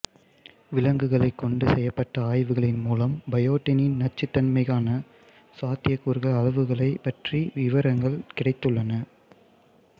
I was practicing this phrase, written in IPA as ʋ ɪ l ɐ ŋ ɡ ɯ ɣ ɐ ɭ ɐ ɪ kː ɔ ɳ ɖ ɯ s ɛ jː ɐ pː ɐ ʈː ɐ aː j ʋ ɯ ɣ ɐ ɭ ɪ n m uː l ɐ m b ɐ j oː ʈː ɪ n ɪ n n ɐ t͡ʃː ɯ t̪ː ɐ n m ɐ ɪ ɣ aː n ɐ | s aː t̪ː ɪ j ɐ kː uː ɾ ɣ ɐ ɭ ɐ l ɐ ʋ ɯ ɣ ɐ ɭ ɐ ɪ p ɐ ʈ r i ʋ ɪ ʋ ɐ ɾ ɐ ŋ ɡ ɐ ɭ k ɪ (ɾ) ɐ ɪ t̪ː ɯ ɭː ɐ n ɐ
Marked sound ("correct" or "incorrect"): incorrect